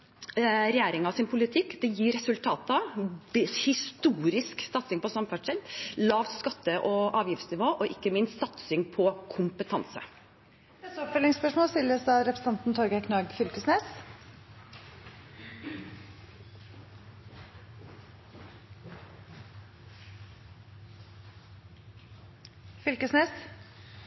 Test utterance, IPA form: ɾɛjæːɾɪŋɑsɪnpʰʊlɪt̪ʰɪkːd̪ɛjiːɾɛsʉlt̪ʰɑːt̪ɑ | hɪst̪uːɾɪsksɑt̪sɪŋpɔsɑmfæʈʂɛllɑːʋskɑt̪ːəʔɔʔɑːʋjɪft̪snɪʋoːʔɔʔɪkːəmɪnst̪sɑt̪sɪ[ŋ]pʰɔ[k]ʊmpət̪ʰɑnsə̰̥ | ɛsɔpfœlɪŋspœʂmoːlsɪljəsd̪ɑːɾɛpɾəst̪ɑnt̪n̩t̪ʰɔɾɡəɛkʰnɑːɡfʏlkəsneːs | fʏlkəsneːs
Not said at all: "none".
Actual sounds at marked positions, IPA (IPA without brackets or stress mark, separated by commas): ŋ, kʰ